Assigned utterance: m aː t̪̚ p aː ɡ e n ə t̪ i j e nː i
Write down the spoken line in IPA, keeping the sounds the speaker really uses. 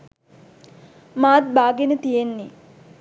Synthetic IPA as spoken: m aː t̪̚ b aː ɡ e n ə t̪ i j e nː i